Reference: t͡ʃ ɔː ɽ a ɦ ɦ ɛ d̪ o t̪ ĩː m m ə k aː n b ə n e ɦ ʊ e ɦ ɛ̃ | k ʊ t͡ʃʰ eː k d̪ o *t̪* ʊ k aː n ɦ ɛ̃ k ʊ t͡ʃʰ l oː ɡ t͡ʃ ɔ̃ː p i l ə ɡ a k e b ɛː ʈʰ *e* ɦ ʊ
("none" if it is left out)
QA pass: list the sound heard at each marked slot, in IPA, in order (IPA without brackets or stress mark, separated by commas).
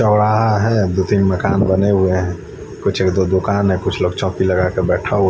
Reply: d̪, a